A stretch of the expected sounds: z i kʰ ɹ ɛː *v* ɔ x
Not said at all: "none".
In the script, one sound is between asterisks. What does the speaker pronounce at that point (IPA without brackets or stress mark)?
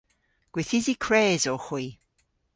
z